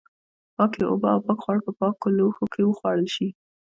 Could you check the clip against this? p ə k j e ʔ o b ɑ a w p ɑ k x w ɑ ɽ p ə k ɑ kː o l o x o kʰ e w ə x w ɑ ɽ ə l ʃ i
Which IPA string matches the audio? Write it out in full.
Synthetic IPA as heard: p ɑ k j e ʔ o b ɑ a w p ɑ k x w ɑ ɽ p ə p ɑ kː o l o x o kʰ e w ə x w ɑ ɽ ə l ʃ i